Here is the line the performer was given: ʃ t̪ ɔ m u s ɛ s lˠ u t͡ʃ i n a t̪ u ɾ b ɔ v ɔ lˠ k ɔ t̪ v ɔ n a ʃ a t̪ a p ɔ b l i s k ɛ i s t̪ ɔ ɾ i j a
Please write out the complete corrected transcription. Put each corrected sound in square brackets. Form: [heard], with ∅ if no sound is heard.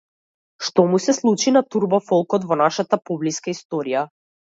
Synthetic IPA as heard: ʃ t̪ ɔ m u s ɛ s lˠ u t͡ʃ i n a t̪ u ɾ b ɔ [f] ɔ lˠ k ɔ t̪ v ɔ n a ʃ a t̪ a p ɔ b l i s k [a] i s t̪ ɔ ɾ i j a